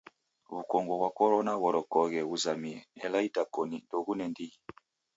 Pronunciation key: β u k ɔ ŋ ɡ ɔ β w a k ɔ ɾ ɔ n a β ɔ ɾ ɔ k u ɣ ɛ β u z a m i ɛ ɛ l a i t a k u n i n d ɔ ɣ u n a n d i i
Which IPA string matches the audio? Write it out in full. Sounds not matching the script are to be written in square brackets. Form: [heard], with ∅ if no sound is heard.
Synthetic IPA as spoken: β u k ɔ ŋ ɡ ɔ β w a k ɔ ɾ ɔ n a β ɔ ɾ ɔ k [ɔ] ɣ ɛ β u z a m i ɛ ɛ l a i t a k [ɔ] n i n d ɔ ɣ u n [ɛ] n d i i